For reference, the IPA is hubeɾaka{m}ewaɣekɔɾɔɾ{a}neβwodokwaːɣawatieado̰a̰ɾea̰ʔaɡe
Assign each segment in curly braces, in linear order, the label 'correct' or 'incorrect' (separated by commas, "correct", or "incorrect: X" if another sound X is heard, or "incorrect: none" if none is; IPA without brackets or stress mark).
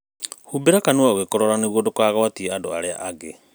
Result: incorrect: n, correct